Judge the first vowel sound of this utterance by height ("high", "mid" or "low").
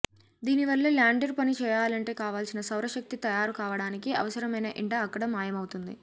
high